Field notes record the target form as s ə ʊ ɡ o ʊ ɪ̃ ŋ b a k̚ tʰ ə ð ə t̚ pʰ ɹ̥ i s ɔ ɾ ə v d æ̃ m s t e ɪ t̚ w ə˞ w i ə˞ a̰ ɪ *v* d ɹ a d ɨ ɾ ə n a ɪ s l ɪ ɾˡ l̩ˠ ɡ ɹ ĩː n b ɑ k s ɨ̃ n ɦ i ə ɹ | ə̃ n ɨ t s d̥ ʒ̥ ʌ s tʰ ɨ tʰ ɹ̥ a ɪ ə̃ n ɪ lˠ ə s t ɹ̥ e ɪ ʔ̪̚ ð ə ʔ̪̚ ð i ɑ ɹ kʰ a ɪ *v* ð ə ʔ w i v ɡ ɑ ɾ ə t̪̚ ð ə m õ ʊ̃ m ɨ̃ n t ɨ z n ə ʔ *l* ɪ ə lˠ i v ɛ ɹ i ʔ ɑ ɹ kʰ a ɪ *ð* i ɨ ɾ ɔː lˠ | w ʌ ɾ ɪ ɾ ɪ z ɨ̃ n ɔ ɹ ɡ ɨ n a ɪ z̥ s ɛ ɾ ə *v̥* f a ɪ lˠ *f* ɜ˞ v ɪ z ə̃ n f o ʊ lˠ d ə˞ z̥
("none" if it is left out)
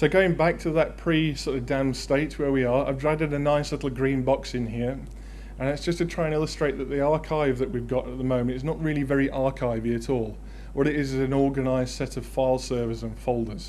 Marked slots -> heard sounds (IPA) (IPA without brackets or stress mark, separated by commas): v, v, ɹ, v, v̥, s